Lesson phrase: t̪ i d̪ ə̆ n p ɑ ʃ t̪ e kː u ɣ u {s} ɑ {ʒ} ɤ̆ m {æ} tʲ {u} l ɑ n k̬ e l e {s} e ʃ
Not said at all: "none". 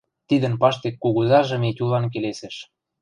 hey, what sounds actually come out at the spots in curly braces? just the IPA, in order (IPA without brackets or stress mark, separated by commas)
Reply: z, ʒ, e, u, s